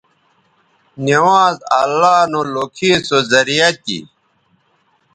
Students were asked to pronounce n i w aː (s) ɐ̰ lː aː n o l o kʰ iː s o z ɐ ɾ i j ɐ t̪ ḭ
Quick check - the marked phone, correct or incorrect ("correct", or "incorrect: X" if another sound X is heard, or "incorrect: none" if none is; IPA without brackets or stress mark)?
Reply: incorrect: z